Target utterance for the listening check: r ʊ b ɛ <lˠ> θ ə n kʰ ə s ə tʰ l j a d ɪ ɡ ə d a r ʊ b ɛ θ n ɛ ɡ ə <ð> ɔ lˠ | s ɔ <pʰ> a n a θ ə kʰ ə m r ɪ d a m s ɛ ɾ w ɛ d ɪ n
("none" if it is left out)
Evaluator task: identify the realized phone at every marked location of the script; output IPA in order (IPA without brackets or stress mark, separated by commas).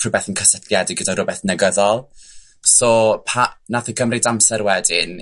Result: none, ð, pʰ